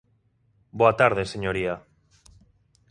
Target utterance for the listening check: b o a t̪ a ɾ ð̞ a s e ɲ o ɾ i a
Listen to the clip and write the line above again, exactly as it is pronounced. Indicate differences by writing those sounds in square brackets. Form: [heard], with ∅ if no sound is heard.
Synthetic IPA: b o a t̪ a ɾ ð̞ [e] s e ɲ o ɾ i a